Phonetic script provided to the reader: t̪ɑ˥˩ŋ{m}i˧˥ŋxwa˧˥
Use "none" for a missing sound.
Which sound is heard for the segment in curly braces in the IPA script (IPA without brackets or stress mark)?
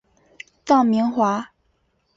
m